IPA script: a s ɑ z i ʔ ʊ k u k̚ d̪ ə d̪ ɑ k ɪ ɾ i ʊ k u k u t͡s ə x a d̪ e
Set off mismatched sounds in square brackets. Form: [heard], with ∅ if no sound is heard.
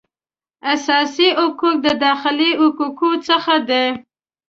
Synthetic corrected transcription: a s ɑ [s] i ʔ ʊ k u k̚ d̪ ə d̪ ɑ [x] ɪ [l] i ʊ k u k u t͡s ə x a d̪ e